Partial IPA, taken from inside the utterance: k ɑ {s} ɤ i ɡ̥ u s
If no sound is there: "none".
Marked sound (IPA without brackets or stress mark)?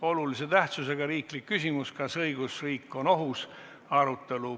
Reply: s